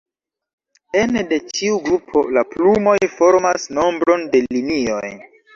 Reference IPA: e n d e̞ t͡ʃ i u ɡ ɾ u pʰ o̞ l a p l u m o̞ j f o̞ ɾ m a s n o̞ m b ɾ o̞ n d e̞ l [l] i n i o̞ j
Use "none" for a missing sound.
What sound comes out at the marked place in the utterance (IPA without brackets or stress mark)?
l